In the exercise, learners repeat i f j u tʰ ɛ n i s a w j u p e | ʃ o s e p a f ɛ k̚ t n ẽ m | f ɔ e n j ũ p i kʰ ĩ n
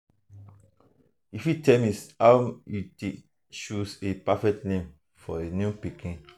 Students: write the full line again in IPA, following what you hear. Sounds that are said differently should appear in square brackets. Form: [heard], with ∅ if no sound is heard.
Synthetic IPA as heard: i f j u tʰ ɛ [m] i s a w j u [t] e | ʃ [u] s e p a f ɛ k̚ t n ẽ m | f ɔ e n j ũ p i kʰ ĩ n